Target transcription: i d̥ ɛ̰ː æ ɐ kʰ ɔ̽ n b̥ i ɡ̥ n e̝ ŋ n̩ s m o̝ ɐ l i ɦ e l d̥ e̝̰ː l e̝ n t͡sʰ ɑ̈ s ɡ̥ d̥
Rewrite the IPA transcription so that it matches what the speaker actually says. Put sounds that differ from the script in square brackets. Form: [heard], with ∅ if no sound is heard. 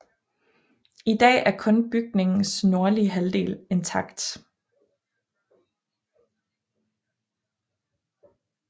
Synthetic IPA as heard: i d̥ ɛ̰ː æ ɐ kʰ ɔ̽ n b̥ [y] ɡ̥ n e̝ ŋ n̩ s [n] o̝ ɐ l i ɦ [æ] l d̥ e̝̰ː l e̝ n t͡sʰ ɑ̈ [∅] ɡ̥ d̥